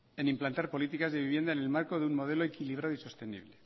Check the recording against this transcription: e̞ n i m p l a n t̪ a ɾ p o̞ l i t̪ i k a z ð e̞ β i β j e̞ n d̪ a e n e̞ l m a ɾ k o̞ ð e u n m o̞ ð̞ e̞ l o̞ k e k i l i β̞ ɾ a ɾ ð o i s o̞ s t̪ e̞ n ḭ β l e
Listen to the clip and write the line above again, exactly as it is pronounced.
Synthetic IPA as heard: e̞ n i m p l a n t̪ a ɾ p o̞ l i t̪ i k a z ð e̞ β i β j e̞ n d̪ a e n e̞ l m a ɾ k o̞ ð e u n m o̞ ð̞ e̞ l o̞ e k i l i β̞ ɾ a ð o i s o̞ s t̪ e̞ n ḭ β l e

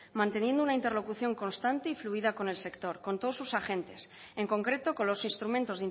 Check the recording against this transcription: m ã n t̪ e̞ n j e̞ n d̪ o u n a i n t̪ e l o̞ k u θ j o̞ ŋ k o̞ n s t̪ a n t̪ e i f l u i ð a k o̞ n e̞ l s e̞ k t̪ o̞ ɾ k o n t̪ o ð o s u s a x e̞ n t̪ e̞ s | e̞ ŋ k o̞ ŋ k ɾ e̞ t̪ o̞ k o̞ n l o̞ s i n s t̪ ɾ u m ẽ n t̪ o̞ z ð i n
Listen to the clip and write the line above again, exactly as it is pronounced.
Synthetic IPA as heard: m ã n t̪ e̞ n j e̞ n d̪ o u n a i n t̪ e l o̞ k u θ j o̞ ŋ k o̞ n s t̪ a n t̪ e i f l u i ð a k o̞ n e̞ l s e̞ k t̪ o̞ ɾ k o n t̪ o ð o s u s a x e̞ n t̪ e̞ s | e̞ ŋ k o̞ ŋ k ɾ e̞ t̪ o̞ k o̞ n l o̞ s i n s t̪ ɾ u m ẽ n t̪ o̞ z ð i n

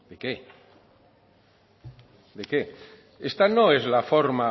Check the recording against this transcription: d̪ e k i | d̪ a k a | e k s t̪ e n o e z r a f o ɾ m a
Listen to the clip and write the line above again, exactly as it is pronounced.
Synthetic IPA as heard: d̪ e k e | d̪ e k e | e s t̪ a n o e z l a f o ɾ m a

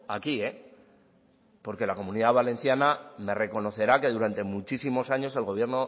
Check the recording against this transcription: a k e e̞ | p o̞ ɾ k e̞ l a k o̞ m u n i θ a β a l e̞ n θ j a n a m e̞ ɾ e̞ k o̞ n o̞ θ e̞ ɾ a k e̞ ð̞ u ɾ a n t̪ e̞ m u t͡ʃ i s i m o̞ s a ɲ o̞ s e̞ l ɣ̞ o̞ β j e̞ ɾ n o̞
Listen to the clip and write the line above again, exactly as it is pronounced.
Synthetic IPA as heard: a k i e̞ | p o̞ ɾ k e̞ l a k o̞ m u n i ð a β a l e̞ n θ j a n a m e̞ r e̞ k o̞ n o̞ θ e̞ ɾ a k e̞ ð̞ u ɾ a n t̪ e̞ m u t͡ʃ i s i m o̞ s a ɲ o̞ s e̞ l ɣ̞ o̞ β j e̞ ɾ n o̞

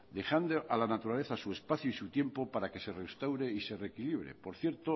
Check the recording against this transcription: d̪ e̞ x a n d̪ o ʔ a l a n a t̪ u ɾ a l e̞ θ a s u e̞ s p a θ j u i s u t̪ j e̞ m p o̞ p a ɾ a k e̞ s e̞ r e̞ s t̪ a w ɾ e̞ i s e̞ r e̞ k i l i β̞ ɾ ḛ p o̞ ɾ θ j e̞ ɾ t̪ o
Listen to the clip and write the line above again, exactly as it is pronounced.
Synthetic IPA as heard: d̪ e̞ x a n d̪ o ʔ a l a n a t̪ u ɾ a l e̞ θ a s u e̞ s p a θ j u i s u t̪ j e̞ m p o̞ p a ɾ a k e̞ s e̞ r e̞ s t̪ a w ɾ e̞ i s e̞ r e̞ k i l i β̞ ɾ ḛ p o̞ ɾ θ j e̞ ɾ t̪ o

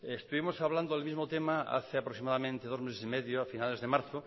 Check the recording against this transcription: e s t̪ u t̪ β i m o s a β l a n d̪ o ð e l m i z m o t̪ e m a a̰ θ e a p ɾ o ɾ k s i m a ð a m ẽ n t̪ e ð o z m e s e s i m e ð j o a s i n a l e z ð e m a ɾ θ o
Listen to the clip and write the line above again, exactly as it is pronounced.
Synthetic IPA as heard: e s t̪ u β i m o s a β l a n d̪ o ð e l m i z m o t̪ e m a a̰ θ e a p ɾ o k s i m a ð a m ẽ n t̪ e ð o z m e s e s i m e ð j o a f i n a l e z ð e m a ɾ θ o

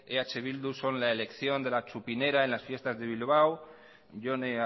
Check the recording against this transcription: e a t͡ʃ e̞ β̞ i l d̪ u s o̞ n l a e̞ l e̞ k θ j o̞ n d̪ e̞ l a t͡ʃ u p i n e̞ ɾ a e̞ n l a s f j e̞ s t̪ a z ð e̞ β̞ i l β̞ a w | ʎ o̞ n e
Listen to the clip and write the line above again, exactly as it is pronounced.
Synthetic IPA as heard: e a t͡ʃ e̞ β̞ i l d̪ u s o̞ n l a e̞ l e̞ k θ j o̞ n d̪ e̞ l a t͡ʃ u p i n e̞ ɾ a e̞ n l a s f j e̞ s t̪ a z ð e̞ β̞ i l β̞ a w | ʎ o̞ n e

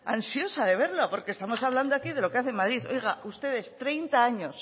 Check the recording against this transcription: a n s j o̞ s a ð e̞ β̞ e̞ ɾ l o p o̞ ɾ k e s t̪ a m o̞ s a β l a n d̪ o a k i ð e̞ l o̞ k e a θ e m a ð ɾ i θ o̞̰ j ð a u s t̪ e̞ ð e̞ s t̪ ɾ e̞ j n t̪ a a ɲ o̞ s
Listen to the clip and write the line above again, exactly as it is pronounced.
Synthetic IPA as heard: a n s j o̞ s a ð e̞ β̞ e̞ ɾ l o p o̞ ɾ k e s t̪ a m o̞ s a β l a n d̪ o a k i ð e̞ l o̞ k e a θ e m a ð ɾ i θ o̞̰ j ɣ a u s t̪ e̞ ð e̞ s t̪ ɾ e̞ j n t̪ a a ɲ o̞ s

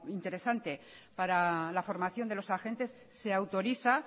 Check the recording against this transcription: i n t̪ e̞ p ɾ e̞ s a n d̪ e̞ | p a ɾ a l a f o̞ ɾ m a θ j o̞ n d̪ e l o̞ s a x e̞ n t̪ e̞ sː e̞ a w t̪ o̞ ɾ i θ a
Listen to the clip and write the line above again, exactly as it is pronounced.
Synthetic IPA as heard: i n t̪ e̞ ɾ e̞ s a n t̪ e̞ | p a ɾ a l a f o̞ ɾ m a θ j o̞ n d̪ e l o̞ s a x e̞ n t̪ e̞ sː e̞ a w t̪ o̞ ɾ i θ a

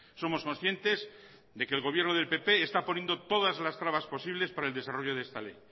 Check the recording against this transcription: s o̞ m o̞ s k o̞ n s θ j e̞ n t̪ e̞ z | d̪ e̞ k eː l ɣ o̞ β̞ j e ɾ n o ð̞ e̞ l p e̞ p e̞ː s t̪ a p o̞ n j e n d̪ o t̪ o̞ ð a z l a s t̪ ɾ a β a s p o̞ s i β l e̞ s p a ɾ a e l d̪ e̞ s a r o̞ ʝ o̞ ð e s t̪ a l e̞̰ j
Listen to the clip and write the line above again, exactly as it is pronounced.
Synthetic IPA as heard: s o̞ m o̞ s k o̞ n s θ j e̞ n t̪ e̞ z | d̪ e̞ k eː l ɣ o̞ β̞ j e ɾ n o ð̞ e̞ l p e̞ p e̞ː s t̪ a p o̞ n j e n d̪ o t̪ o̞ ð a z l a s t̪ ɾ a β a s p o̞ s i β l e̞ s p a ɾ a e l d̪ e̞ s a r o̞ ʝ o̞ ð e s t̪ a l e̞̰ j

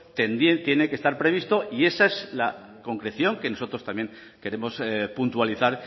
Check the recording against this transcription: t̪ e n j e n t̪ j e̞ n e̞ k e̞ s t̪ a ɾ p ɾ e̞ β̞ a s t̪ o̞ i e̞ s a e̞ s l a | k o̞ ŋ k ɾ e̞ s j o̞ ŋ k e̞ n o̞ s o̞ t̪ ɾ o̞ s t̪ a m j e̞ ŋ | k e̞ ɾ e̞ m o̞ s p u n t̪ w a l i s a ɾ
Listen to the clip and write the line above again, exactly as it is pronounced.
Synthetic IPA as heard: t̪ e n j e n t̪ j e̞ n e̞ k e̞ s t̪ a ɾ p ɾ e̞ β̞ i s t̪ o̞ i e̞ s a e̞ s l a | k o̞ ŋ k ɾ e̞ θ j o̞ ŋ k e̞ n o̞ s o̞ t̪ ɾ o̞ s t̪ a m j e̞ ŋ | k e̞ ɾ e̞ m o̞ s p u n t̪ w a l i θ a ɾ

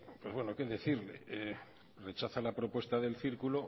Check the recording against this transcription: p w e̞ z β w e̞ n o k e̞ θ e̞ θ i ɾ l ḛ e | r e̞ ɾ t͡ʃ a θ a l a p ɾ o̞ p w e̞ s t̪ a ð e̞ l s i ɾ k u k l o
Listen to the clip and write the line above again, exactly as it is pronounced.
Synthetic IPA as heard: p w e̞ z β w e̞ n o k e̞ ð e̞ θ i ɾ l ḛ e | r e̞ t͡ʃ a θ a l a p ɾ o̞ p w e̞ s t̪ a ð e̞ l θ i ɾ k u l o

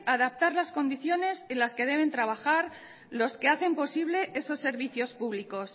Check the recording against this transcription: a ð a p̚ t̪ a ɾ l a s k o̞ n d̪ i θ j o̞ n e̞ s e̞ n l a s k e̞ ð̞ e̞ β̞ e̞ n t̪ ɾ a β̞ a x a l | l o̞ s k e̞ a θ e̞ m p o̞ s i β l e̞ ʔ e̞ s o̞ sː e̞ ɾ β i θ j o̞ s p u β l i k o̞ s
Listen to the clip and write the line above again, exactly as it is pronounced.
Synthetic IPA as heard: a ð a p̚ t̪ a ɾ l a s k o̞ n d̪ i θ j o̞ n e̞ s e̞ n l a s k e̞ ð̞ e̞ β̞ e̞ n t̪ ɾ a β̞ a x a ɾ | l o̞ s k e̞ a θ e̞ m p o̞ s i β l e̞ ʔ e̞ s o̞ sː e̞ ɾ β i θ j o̞ s p u β l i k o̞ s

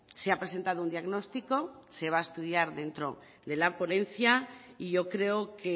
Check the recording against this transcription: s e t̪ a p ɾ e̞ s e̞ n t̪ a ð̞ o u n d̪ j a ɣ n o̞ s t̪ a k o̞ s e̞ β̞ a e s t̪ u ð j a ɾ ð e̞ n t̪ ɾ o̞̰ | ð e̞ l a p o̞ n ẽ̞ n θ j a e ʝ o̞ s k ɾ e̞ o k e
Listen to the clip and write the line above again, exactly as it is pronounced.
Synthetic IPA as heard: s e a p ɾ e̞ s e̞ n t̪ a ð̞ o u n d̪ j a ɣ n o̞ s t̪ i k o̞ s e̞ β̞ a e s t̪ u ð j a ɾ ð e̞ n t̪ ɾ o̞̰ | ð e̞ l a p o̞ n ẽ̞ n θ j a i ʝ o̞ k ɾ e̞ o k e

